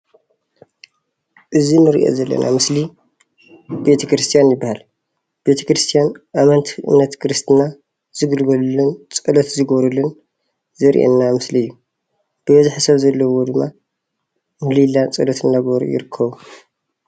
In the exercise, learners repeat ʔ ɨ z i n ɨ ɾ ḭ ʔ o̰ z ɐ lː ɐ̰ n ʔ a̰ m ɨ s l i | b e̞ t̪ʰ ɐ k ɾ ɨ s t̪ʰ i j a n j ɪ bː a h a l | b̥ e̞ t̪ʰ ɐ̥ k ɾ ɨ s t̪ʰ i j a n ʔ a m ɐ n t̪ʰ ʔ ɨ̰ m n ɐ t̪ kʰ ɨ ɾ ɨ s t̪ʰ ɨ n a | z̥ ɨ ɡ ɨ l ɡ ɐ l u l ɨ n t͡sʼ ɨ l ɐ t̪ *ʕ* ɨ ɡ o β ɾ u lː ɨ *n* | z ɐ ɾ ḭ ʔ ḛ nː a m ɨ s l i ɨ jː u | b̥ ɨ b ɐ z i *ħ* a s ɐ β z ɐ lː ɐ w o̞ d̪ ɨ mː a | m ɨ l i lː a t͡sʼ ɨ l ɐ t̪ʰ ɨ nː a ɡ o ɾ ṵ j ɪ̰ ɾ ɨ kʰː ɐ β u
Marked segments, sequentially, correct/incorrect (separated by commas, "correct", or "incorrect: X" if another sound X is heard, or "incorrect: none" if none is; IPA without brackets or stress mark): incorrect: z, correct, correct